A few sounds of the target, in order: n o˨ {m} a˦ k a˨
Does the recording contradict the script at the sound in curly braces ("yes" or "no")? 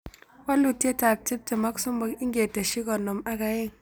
no